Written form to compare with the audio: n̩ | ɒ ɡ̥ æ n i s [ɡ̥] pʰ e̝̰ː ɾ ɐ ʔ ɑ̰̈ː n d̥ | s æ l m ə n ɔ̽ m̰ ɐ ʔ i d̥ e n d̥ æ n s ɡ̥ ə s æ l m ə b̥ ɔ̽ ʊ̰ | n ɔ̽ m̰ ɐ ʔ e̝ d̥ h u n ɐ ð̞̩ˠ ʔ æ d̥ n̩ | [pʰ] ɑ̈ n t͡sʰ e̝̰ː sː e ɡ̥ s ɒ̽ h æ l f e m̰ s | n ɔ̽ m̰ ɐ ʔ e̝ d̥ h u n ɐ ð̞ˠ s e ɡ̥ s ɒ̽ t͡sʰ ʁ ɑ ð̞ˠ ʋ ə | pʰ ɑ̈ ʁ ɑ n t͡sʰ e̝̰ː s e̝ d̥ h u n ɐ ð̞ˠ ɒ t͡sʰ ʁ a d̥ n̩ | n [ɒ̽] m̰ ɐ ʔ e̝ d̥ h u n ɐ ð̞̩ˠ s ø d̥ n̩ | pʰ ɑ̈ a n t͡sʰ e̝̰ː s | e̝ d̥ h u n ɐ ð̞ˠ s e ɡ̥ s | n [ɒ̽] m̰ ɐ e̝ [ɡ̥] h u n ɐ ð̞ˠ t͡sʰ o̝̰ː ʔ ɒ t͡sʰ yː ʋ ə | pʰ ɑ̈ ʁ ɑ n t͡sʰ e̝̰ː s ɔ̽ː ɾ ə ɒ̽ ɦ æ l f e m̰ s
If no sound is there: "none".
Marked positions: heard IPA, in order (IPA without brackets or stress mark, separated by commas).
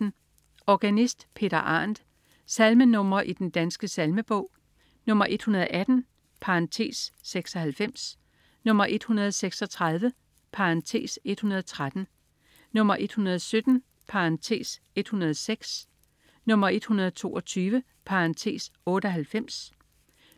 d̥, pʰ, ɔ̽, ɔ̽, d̥